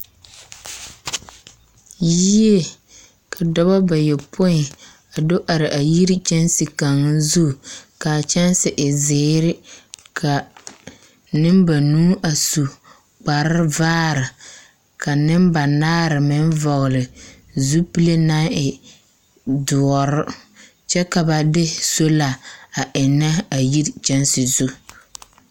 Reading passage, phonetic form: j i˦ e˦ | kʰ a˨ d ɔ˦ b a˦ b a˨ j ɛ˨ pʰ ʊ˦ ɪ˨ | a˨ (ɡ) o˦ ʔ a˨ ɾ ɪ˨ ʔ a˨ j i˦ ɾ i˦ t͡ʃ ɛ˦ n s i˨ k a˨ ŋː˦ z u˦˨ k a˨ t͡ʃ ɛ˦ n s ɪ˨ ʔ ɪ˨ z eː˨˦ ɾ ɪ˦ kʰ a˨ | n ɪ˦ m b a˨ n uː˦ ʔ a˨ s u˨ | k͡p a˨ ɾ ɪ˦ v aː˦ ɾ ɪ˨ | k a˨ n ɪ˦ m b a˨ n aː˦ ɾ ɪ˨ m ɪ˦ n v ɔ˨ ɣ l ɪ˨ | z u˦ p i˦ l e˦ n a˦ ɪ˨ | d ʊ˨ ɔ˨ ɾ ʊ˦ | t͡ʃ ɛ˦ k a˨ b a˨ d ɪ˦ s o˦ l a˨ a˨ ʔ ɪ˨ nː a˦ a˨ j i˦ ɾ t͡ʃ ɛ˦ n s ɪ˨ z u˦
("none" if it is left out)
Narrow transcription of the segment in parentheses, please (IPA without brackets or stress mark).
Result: d